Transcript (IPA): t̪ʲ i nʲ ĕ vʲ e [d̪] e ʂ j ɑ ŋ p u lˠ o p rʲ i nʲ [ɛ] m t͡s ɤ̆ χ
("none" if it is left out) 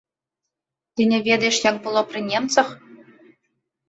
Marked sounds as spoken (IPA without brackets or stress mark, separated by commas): d̪, e